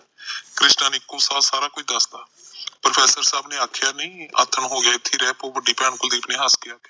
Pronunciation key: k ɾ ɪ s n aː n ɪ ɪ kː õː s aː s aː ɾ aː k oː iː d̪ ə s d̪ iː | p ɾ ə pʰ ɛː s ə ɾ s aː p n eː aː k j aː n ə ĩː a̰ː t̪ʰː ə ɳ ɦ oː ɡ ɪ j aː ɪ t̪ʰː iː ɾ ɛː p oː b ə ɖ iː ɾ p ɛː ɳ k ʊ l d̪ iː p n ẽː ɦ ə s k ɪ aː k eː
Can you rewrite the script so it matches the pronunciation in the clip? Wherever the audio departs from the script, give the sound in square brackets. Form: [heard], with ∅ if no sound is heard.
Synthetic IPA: k ɾ ɪ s n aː n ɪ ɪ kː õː s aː s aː ɾ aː k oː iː d̪ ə s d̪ [aː] | p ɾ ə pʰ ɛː s ə ɾ s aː [b] n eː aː [kʰ] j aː n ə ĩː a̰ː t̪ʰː ə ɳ ɦ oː ɡ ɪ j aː ɪ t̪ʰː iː ɾ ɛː p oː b ə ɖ iː [∅] p ɛː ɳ k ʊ l d̪ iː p n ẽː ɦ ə s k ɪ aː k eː